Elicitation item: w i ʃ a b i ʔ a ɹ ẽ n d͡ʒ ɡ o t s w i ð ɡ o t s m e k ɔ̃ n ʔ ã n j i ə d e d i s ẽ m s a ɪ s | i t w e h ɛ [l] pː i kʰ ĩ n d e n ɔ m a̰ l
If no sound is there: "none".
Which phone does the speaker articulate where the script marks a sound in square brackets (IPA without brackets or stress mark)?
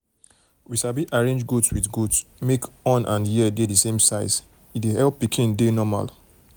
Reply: l